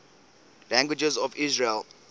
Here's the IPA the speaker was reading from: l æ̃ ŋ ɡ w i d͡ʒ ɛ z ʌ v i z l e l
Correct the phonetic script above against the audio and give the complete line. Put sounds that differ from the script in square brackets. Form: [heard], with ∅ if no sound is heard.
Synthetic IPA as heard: l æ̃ ŋ ɡ w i d͡ʒ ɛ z [ɔ] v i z [ɹ] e l